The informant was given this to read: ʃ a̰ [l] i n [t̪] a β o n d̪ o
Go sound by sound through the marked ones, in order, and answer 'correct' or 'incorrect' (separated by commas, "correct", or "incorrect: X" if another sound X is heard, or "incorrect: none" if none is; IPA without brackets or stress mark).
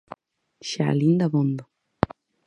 correct, incorrect: d̪